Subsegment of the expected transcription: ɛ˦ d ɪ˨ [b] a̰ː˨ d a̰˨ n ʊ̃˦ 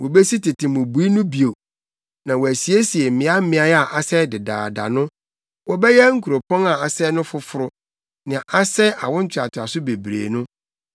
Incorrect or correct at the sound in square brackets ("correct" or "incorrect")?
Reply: incorrect